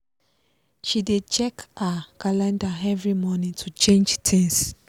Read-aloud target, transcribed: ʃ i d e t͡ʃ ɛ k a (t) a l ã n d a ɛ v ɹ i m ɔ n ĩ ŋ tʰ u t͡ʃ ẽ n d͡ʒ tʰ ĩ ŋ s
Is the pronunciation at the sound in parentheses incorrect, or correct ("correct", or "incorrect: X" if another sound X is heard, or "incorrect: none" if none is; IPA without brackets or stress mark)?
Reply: incorrect: k